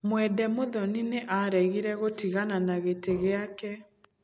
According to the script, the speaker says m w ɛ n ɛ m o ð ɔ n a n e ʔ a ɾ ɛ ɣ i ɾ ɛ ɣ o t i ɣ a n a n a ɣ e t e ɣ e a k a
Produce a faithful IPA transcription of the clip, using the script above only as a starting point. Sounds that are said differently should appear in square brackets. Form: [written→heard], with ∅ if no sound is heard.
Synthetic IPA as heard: m w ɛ [n→d] ɛ m o ð ɔ n [a→i] n e ʔ a ɾ ɛ ɣ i ɾ ɛ ɣ o t i ɣ a n a n a ɣ e t e ɣ e a k [a→ɛ]

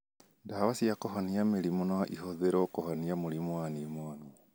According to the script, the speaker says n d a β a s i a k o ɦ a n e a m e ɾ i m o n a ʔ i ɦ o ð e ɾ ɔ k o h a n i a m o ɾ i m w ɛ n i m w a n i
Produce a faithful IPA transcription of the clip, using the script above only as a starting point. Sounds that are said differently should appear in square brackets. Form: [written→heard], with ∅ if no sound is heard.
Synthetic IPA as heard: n d a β a s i a k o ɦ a n [e→i] a m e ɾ i m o n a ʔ i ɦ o ð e ɾ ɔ k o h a n i a m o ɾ i m w [ɛ→a] n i m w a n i

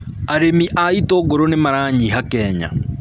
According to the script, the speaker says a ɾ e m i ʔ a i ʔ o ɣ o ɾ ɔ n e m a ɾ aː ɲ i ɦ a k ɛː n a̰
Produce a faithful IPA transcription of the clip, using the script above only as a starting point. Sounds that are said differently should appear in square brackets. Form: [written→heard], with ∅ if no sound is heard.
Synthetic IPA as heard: a ɾ e m i ʔ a i [ʔ→t] o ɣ o ɾ [ɔ→o] n e m a ɾ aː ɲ i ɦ a k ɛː [n→ɲ] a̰

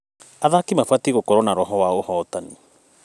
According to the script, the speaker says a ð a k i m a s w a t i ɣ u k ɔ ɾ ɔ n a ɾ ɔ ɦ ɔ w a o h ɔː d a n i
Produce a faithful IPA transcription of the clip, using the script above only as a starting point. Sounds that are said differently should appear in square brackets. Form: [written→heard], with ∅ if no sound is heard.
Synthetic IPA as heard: a ð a k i m a [s→f] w a t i ɣ [u→o] k ɔ ɾ ɔ n a ɾ ɔ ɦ ɔ w a o h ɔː [d→t] a n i

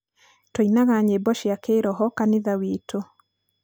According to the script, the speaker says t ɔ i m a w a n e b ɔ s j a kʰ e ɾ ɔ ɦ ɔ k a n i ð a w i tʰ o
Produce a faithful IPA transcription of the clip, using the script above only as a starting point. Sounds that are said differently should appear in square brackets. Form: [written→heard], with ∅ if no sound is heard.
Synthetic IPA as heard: t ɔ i [m→n] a [w→ɣ] a [n→ɲ] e b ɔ [s→ʃ] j a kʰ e ɾ ɔ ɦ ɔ k a n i ð a w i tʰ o

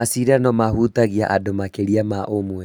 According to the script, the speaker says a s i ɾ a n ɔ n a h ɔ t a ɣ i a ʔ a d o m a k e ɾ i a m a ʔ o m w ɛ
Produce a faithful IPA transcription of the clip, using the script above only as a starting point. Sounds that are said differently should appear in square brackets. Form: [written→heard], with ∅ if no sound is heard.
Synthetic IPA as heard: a s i ɾ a n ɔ [n→m] a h [ɔ→u] t a ɣ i a ʔ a d o m a k e ɾ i a m a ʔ o m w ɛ

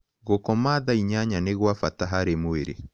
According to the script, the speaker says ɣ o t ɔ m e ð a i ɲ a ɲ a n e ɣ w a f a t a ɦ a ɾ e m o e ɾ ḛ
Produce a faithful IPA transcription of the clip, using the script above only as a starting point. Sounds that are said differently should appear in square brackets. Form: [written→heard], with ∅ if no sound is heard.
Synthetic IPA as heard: ɣ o [t→k] ɔ m [e→a] ð a i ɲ a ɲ a n e ɣ w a f a t a ɦ a ɾ e m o e ɾ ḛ

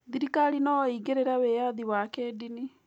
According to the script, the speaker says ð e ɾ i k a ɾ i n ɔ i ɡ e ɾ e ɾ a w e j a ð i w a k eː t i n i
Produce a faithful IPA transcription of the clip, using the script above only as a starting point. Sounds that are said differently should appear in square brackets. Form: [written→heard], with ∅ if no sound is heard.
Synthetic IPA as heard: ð [e→i] ɾ i k a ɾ i n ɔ i ɡ e ɾ e ɾ a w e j a ð i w a k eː [t→d] i n i

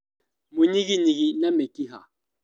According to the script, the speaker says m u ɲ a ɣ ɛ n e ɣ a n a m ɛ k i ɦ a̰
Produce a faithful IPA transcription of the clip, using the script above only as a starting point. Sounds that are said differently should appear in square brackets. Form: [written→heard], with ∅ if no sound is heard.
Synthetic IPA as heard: m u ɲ [a→i] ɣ [ɛ→i] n [e→i] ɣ [a→i] n a m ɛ k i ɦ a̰

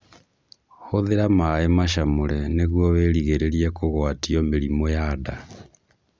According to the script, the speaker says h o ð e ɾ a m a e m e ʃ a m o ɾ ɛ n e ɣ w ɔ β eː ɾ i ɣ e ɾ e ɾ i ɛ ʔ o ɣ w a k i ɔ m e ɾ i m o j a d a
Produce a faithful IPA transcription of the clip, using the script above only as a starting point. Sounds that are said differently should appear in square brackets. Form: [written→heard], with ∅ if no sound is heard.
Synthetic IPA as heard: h o ð e ɾ a m a e m [e→a] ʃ a m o ɾ ɛ n e ɣ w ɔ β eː ɾ i ɣ e ɾ e ɾ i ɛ [ʔ→k] o ɣ w a [k→t] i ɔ m e ɾ i m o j a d a

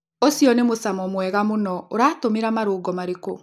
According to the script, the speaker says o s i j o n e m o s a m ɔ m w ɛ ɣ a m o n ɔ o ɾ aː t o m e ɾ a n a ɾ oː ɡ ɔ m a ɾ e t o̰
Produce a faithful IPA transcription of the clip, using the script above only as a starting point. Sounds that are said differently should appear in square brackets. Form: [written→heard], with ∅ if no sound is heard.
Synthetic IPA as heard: o s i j [o→ɔ] n e m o s a m ɔ m w ɛ ɣ a m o n ɔ o ɾ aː t o m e ɾ a [n→m] a ɾ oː ɡ ɔ m a ɾ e [t→k] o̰

